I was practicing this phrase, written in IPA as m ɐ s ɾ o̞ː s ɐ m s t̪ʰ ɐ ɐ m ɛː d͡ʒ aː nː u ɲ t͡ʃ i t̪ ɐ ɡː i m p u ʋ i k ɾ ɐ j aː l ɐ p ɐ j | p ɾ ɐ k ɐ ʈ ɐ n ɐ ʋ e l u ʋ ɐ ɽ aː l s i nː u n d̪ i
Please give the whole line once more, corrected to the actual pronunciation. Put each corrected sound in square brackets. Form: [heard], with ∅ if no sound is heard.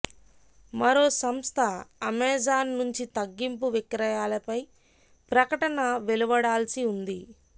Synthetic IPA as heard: m ɐ [∅] ɾ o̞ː s ɐ m s t̪ʰ ɐ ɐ m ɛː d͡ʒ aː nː u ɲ t͡ʃ i t̪ ɐ ɡː i m p u ʋ i k ɾ ɐ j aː l ɐ p ɐ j | p ɾ ɐ k ɐ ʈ ɐ n ɐ ʋ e l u ʋ ɐ ɽ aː l s i [∅] u n d̪ i

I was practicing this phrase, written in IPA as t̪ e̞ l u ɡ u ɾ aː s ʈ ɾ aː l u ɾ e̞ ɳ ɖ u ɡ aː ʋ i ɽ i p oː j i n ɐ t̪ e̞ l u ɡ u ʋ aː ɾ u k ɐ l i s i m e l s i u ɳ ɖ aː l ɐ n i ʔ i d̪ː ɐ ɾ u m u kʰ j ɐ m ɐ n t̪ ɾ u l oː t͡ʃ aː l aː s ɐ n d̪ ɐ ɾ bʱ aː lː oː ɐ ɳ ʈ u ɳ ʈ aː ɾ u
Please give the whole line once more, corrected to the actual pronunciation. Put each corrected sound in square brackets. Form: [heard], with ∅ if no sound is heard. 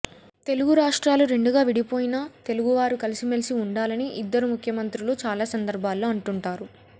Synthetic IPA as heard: t̪ e̞ l u ɡ u ɾ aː [ʂ] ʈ ɾ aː l u ɾ e̞ ɳ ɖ u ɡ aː ʋ i ɽ i p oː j i n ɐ t̪ e̞ l u ɡ u ʋ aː ɾ u k ɐ l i s i m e l s i u ɳ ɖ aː l ɐ n i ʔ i d̪ː ɐ ɾ u m u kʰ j ɐ m ɐ n t̪ ɾ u l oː t͡ʃ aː l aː s ɐ n d̪ ɐ ɾ bʱ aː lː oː ɐ ɳ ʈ u ɳ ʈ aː ɾ u

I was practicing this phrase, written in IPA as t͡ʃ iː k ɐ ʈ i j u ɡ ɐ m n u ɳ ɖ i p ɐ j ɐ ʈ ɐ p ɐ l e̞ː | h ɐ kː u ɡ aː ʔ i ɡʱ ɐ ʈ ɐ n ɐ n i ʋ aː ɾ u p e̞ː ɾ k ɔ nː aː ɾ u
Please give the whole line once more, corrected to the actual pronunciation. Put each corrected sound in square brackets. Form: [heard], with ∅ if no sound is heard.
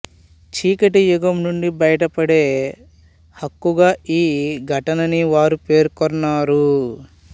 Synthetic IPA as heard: t͡ʃ iː k ɐ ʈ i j u ɡ ɐ m n u ɳ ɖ i [b] ɐ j ɐ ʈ ɐ p ɐ [ɽ] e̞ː | h ɐ kː u ɡ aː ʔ [iː] ɡʱ ɐ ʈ ɐ n ɐ n i ʋ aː ɾ u p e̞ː ɾ k ɔ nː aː ɾ u

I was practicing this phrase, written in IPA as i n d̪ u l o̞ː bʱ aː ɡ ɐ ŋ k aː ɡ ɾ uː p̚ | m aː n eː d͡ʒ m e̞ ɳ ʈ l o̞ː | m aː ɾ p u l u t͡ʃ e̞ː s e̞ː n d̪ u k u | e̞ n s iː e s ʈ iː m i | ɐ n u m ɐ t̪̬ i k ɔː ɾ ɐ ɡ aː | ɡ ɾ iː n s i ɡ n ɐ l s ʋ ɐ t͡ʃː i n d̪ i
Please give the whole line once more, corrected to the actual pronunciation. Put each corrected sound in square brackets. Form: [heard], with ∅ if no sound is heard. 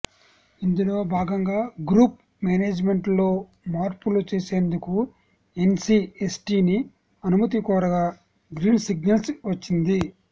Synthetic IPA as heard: i n d̪ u l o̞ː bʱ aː ɡ ɐ ŋ [ɡ] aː ɡ ɾ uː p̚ | m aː n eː d͡ʒ m e̞ ɳ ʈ l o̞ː | m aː ɾ p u l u t͡ʃ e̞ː s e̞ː n d̪ u k u | e̞ n s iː e s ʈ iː [n] i | ɐ n u m ɐ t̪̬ i k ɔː ɾ ɐ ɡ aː | ɡ ɾ iː n s i ɡ n ɐ l s ʋ ɐ t͡ʃː i n d̪ i

